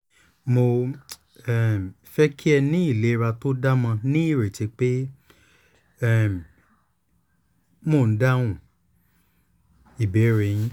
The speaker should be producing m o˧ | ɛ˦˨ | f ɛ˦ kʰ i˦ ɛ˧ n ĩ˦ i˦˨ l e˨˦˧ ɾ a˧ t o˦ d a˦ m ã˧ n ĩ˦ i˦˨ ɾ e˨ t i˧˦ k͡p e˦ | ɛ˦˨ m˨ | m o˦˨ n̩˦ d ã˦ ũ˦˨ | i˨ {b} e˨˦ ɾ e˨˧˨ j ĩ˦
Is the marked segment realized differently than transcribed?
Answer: no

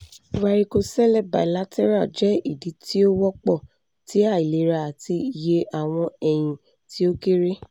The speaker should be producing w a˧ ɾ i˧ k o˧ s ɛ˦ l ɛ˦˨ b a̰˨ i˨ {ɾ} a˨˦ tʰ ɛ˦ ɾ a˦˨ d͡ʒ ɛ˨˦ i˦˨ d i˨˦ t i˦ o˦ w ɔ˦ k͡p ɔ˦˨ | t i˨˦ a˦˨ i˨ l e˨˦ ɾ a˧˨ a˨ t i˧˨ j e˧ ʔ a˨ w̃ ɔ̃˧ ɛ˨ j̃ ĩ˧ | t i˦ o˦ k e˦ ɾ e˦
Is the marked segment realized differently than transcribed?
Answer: yes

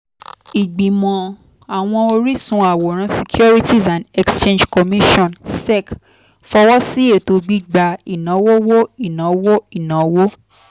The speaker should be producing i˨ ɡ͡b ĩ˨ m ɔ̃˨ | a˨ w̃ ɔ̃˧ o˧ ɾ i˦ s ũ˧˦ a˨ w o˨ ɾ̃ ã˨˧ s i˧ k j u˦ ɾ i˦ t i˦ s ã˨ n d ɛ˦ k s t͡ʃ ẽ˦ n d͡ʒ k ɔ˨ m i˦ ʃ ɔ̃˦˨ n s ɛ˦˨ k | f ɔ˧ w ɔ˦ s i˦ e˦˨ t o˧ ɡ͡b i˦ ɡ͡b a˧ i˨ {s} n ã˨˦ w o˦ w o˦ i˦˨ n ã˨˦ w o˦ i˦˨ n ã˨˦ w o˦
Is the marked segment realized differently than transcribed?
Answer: yes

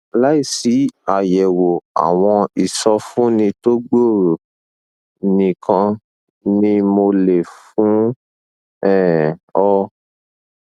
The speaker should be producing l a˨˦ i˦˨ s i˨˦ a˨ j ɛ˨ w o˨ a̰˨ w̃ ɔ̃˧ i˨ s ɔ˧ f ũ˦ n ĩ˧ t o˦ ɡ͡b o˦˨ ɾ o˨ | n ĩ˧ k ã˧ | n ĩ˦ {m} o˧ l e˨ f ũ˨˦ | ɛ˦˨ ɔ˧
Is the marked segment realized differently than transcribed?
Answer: no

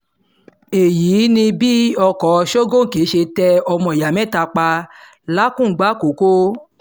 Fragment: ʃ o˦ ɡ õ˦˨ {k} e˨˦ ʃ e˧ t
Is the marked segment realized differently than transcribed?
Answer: no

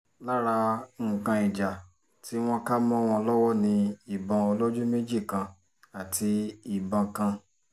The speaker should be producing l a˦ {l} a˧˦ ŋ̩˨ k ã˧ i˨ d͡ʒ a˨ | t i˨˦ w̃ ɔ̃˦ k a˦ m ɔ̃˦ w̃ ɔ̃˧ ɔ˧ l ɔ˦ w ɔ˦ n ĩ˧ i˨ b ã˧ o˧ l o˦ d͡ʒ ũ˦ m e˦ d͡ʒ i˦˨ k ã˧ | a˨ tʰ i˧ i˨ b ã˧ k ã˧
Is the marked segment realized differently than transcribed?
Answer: yes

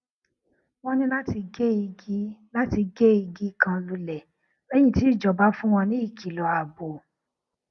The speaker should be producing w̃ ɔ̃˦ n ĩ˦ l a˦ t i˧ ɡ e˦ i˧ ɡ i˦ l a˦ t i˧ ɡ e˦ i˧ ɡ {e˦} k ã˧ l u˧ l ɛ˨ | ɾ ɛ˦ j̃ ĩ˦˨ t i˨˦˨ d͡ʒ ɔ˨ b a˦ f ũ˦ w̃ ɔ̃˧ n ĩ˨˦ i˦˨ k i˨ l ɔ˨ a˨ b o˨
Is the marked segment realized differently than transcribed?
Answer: yes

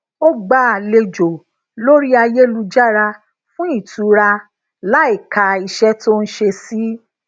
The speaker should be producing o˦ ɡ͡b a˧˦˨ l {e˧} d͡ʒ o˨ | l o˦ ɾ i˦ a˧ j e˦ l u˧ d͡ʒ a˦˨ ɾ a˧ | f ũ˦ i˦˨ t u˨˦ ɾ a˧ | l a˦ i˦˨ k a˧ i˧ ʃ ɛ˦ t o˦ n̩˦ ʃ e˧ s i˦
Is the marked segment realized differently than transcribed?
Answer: no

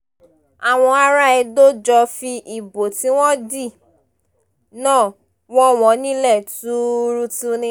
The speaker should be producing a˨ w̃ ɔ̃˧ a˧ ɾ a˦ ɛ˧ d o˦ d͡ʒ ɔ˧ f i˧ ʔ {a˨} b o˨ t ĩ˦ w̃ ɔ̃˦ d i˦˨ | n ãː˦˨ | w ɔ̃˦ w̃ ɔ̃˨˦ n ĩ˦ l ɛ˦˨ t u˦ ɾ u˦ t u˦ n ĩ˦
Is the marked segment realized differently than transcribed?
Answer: yes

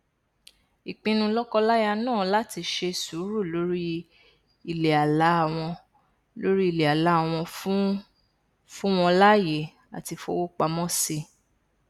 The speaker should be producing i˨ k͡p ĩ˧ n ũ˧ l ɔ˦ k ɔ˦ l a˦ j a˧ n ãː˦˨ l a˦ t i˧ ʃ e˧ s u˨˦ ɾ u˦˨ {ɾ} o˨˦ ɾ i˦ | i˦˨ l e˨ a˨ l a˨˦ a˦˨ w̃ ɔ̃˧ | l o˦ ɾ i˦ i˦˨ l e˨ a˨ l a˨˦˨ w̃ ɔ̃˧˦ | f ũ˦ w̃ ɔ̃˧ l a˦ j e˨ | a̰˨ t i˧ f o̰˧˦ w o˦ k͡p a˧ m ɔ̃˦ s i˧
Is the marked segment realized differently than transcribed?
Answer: yes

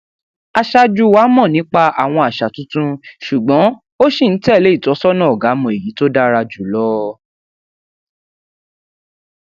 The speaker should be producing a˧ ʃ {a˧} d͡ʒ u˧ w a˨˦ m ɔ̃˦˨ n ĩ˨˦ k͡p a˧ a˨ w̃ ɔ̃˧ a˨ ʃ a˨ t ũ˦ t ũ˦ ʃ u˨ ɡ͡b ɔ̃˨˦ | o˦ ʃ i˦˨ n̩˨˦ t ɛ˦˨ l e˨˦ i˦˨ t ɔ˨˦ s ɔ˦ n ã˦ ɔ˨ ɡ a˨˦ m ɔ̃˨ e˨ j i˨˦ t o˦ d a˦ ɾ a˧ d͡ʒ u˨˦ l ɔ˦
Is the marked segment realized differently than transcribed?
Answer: no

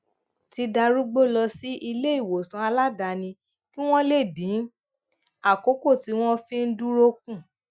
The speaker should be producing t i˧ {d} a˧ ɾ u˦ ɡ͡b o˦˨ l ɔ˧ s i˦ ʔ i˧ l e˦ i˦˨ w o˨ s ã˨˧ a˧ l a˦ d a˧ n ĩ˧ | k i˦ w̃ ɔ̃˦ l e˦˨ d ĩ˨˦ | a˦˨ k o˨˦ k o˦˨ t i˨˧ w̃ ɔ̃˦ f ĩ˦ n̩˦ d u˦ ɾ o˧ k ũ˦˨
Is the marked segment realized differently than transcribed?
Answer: no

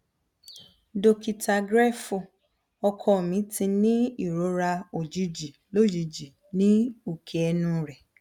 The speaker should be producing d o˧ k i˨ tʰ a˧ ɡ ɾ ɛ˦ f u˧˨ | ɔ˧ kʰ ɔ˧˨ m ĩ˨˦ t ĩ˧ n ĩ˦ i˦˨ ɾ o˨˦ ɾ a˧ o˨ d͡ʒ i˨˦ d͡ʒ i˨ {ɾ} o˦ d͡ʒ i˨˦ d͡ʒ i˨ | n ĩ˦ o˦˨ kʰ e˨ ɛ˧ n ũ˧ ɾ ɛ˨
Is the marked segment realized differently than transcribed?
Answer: yes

